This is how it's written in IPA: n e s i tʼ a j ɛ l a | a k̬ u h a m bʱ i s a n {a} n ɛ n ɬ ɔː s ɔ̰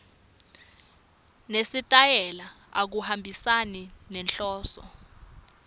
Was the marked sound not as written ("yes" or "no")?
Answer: yes